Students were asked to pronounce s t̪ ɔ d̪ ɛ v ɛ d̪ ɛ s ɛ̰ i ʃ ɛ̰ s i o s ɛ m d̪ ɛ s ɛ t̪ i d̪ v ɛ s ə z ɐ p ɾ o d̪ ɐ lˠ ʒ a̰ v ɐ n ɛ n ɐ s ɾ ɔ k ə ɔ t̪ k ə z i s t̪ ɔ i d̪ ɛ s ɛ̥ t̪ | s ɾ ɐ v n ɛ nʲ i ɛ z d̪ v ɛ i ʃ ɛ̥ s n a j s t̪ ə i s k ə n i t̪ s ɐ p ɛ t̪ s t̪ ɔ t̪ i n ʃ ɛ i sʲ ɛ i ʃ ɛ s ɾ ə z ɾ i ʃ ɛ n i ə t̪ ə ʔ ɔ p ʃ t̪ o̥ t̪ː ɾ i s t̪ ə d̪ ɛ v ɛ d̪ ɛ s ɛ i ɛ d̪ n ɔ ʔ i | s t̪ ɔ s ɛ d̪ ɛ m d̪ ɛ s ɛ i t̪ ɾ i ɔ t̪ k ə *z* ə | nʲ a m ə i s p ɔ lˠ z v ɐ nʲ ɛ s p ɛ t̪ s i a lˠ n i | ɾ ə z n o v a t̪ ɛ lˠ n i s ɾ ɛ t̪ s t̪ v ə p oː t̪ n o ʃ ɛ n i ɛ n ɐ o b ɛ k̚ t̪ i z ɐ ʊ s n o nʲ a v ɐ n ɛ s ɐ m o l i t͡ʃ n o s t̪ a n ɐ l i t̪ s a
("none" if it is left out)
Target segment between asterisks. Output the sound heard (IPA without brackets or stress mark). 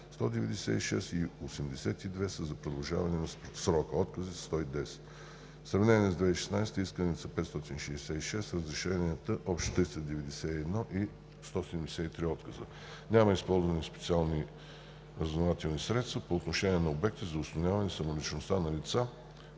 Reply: z